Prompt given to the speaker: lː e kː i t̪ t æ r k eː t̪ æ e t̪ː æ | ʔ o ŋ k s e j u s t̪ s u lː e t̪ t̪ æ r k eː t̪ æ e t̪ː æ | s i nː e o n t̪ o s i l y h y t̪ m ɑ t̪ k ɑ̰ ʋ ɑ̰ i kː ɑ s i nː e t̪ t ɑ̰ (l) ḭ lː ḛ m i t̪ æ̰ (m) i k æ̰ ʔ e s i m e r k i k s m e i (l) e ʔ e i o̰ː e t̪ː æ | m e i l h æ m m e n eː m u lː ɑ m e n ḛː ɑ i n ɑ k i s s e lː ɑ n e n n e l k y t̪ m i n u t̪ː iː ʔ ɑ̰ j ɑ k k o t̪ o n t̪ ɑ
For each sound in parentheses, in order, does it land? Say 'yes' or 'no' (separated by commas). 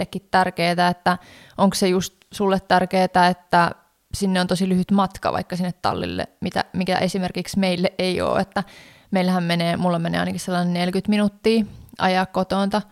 no, yes, no